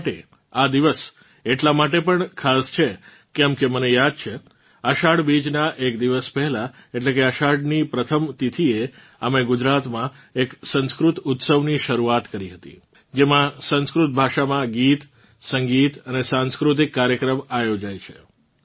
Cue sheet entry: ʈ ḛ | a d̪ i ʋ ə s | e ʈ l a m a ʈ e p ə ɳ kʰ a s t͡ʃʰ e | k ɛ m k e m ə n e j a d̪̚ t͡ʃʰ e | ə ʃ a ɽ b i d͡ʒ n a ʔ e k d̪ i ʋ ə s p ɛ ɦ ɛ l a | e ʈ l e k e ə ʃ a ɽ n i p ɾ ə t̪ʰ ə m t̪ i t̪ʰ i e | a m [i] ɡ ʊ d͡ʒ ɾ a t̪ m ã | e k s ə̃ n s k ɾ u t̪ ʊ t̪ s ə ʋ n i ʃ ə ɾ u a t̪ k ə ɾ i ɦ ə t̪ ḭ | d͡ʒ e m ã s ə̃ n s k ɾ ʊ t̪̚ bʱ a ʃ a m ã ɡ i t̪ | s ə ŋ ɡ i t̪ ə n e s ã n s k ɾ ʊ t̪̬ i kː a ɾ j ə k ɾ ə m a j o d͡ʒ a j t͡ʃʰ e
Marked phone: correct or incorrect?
incorrect